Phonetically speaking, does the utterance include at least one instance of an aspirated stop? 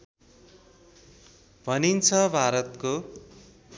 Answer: yes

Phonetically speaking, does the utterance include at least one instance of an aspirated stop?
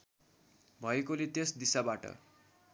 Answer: no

